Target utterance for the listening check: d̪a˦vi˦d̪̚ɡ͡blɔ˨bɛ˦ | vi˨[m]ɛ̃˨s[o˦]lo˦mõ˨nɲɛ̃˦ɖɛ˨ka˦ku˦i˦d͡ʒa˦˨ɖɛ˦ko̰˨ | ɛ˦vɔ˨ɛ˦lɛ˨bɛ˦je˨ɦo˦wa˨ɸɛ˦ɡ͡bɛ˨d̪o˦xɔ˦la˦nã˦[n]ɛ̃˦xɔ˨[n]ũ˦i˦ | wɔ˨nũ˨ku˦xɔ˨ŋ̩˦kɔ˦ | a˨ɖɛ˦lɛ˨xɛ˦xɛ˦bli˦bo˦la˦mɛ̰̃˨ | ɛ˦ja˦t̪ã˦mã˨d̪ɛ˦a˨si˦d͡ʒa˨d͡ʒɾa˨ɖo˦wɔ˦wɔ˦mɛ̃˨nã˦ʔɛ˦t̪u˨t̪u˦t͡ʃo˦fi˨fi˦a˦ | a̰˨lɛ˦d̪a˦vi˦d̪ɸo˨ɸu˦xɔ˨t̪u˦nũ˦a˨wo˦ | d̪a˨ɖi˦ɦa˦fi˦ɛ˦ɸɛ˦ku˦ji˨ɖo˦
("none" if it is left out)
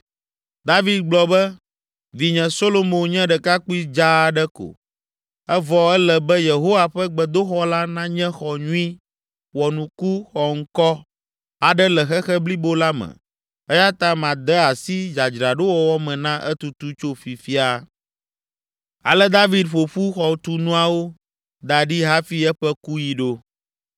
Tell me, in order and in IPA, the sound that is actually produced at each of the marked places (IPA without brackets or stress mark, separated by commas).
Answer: ɲ, o˦, ɲ, ɲ